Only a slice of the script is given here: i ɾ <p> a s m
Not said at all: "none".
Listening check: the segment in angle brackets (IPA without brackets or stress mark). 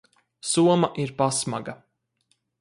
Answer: p